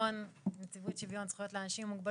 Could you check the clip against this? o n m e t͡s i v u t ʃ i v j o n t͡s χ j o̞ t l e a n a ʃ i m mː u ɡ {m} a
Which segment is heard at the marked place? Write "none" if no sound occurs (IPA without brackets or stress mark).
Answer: b